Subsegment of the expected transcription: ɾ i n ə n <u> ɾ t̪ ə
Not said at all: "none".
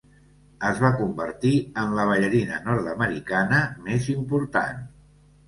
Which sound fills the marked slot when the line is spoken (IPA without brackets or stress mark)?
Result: ɔ